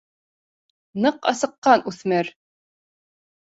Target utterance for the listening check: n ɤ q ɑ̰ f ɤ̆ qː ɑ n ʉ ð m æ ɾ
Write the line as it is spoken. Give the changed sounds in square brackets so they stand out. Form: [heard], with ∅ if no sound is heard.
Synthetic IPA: n ɤ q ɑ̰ [s] ɤ̆ qː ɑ n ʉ [θ] m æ ɾ